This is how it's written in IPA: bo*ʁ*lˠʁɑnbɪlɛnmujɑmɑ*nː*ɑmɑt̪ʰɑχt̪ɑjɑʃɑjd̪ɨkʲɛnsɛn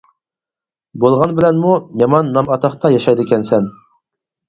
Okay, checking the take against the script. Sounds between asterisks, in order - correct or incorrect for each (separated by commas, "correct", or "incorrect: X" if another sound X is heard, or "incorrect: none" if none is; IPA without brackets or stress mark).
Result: incorrect: none, correct